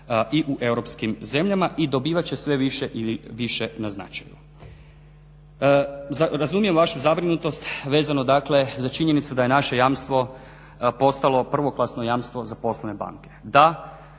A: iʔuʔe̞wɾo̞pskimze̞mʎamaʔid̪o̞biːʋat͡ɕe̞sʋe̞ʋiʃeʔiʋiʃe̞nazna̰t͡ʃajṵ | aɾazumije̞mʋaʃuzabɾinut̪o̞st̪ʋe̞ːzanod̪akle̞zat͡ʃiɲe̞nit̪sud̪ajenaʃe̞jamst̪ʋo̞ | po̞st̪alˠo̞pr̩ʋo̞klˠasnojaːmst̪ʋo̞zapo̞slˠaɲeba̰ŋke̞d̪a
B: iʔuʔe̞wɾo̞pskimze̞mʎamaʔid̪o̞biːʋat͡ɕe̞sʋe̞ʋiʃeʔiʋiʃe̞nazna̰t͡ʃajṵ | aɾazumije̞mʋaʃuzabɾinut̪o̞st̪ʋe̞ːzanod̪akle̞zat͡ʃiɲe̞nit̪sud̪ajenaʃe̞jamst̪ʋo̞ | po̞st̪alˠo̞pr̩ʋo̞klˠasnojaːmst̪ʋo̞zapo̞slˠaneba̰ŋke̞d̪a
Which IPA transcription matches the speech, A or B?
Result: B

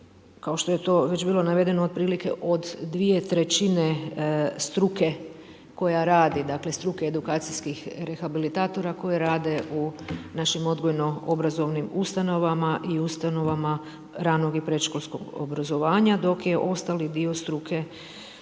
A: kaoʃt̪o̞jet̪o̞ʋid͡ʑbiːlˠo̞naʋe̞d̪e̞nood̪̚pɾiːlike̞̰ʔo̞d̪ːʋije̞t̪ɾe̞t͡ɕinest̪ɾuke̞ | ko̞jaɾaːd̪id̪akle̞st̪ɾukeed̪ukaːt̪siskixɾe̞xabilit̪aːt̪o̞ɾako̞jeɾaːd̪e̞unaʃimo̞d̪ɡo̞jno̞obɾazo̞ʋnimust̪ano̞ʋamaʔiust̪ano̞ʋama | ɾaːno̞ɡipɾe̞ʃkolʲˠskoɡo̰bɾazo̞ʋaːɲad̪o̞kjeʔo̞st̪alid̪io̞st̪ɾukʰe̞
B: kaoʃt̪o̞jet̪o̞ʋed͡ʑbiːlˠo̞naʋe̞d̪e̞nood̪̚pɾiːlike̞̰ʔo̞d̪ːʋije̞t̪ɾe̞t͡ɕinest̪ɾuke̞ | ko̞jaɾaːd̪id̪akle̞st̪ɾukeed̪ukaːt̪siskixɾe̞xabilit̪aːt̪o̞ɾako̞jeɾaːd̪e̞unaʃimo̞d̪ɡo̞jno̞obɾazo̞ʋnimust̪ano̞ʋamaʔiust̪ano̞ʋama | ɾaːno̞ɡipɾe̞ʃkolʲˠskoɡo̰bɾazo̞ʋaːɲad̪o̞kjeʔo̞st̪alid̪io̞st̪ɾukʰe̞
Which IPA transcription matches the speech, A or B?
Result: B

